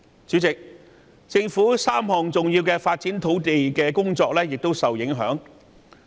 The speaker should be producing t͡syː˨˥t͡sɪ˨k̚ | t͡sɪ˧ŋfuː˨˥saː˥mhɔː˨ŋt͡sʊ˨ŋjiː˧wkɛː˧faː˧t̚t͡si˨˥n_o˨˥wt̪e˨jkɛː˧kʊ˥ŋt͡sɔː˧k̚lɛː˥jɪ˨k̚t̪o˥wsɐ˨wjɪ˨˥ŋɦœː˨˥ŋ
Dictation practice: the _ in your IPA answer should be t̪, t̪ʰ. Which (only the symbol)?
t̪ʰ